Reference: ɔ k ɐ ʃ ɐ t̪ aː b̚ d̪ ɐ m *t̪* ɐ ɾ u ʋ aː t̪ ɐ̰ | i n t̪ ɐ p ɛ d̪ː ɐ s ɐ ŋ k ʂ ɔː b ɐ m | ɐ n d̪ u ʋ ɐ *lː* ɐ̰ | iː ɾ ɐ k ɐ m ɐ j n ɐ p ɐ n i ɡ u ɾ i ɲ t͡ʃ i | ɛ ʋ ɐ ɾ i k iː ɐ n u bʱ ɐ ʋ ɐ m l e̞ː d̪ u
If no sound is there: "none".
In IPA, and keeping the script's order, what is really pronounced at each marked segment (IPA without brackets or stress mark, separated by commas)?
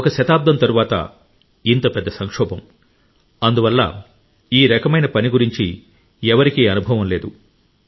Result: t̪, lː